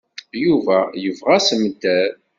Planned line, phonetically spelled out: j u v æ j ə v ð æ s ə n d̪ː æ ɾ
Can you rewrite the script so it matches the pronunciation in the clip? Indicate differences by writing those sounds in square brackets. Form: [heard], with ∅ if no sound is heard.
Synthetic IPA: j u v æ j ə v [ʁ] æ s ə [m] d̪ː æ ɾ